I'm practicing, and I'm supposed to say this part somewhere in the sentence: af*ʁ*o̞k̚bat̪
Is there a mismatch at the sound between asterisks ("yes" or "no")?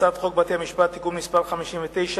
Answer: yes